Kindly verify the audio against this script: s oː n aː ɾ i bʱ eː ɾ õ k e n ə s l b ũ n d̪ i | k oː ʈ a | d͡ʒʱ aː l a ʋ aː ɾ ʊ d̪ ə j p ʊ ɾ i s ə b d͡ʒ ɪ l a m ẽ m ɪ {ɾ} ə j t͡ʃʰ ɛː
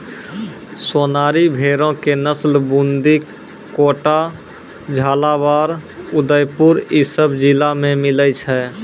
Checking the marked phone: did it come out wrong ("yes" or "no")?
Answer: yes